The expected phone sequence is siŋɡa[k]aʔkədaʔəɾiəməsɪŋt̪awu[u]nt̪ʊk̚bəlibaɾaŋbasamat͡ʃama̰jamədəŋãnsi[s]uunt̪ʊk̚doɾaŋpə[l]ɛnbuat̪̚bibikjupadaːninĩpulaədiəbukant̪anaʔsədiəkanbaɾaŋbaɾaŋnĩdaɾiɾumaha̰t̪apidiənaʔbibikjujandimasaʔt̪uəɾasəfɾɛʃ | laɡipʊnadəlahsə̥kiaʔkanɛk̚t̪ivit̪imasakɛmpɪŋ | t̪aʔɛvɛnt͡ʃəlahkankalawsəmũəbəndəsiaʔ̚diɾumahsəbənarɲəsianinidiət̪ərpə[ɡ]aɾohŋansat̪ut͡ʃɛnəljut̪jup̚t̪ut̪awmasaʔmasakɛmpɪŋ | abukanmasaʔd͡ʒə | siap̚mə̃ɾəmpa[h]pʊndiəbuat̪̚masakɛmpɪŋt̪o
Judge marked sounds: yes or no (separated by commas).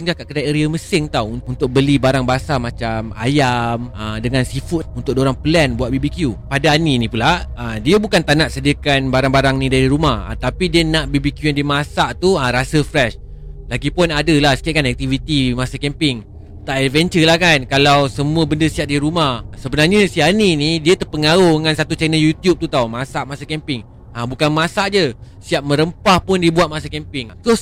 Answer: yes, yes, no, yes, no, yes